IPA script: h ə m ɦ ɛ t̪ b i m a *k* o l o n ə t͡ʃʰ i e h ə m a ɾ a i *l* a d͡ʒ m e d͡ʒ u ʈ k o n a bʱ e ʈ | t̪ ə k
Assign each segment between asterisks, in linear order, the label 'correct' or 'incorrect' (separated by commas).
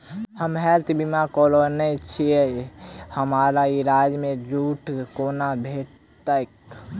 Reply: correct, incorrect